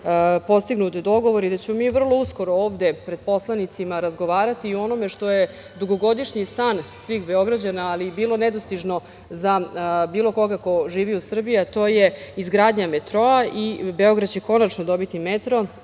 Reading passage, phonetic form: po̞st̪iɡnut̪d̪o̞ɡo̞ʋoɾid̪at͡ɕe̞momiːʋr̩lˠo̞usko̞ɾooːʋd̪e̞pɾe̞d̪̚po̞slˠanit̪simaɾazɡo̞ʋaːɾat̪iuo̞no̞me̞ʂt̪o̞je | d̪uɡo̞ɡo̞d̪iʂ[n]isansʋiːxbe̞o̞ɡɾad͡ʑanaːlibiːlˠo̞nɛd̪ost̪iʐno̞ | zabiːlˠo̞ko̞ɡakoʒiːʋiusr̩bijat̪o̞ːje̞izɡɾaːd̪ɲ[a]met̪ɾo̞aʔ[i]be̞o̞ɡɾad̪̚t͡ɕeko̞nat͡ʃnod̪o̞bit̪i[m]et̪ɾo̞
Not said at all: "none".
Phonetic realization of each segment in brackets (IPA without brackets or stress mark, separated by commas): ɲ, a, i, m